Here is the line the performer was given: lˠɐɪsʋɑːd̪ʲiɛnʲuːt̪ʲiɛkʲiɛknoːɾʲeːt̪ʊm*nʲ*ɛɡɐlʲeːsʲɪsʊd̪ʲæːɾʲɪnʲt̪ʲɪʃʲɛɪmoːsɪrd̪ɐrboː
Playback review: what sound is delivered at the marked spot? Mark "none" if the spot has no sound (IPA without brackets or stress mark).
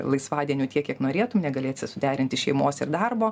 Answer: nʲ